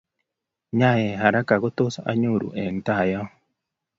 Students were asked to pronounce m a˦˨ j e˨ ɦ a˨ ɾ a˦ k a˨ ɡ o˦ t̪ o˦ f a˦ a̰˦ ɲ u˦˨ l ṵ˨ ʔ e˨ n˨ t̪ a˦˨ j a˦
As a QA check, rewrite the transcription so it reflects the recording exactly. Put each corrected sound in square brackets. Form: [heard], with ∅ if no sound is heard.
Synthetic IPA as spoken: [ɲ] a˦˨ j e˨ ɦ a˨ ɾ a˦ k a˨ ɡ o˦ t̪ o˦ [s] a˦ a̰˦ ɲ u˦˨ [ɾ] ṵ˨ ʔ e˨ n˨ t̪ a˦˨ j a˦